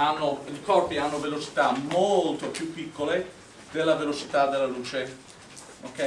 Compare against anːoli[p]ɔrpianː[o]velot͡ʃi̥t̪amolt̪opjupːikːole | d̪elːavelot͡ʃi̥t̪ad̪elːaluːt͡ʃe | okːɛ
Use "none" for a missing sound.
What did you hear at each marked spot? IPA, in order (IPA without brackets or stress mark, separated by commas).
k, o